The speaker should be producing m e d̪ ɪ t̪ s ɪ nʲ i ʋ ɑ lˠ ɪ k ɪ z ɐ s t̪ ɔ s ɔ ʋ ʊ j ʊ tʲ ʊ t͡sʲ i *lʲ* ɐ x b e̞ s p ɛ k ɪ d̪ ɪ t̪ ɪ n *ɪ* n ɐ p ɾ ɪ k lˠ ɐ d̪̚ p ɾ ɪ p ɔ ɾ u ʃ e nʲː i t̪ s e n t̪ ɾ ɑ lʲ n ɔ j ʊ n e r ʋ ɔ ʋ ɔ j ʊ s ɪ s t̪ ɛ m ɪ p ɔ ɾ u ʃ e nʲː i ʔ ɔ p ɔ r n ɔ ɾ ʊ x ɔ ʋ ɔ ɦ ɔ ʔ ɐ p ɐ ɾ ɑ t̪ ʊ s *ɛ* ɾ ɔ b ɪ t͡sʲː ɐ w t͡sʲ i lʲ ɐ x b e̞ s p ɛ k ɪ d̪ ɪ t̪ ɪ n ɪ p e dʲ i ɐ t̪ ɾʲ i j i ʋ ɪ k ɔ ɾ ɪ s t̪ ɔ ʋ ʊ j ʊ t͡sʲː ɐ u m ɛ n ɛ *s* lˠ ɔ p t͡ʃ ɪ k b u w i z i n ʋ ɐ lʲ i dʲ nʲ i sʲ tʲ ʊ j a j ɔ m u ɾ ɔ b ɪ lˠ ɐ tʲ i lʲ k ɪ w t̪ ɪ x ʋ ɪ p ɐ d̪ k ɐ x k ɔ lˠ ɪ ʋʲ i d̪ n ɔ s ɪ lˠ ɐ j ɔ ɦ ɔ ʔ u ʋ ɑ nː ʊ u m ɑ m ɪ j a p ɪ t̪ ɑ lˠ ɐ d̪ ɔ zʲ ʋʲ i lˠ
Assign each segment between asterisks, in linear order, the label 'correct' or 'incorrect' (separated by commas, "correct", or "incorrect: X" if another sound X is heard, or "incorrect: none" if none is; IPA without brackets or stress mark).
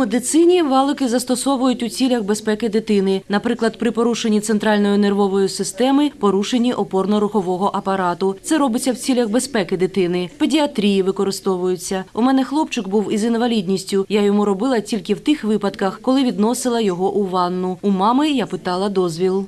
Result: correct, correct, correct, incorrect: x